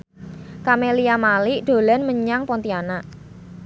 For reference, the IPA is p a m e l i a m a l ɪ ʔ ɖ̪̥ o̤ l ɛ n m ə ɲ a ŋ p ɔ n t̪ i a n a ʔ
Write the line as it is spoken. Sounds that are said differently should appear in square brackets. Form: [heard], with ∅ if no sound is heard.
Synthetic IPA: [k] a m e l i a m a l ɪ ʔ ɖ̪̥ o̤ l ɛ n m ə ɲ a ŋ p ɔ n t̪ i a n a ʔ